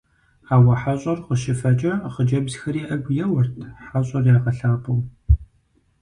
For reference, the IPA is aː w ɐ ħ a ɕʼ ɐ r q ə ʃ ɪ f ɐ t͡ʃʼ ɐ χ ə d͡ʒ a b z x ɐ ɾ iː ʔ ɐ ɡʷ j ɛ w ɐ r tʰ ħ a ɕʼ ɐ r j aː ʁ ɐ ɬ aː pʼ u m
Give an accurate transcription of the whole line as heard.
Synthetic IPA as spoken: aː w ɐ ħ a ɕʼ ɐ r q ə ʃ ɪ f ɐ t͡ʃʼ ɐ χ ə d͡ʒ ɐ b z x ɐ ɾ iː ʔ ɐ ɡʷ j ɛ w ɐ r tʰ ħ a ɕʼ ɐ r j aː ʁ ɐ ɬ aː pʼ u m